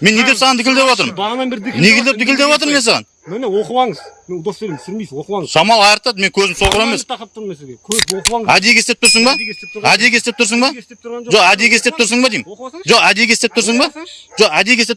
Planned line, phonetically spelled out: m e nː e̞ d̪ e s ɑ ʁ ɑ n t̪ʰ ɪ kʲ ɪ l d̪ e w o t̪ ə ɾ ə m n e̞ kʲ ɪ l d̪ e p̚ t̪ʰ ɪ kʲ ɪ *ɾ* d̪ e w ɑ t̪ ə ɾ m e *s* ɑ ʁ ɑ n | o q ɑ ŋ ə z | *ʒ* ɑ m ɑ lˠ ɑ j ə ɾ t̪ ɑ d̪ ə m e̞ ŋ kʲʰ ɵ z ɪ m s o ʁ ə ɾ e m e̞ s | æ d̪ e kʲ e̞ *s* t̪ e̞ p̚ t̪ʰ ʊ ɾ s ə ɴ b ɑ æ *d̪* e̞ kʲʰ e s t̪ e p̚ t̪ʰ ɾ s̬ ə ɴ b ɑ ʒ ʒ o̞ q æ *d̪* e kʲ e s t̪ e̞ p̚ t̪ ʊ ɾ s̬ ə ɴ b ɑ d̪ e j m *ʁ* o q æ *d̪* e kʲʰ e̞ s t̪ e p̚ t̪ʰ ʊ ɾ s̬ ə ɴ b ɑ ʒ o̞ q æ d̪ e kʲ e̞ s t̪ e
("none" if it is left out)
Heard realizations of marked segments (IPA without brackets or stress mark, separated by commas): l, s, ʃ, s, d̪, d̪, ʒ, d̪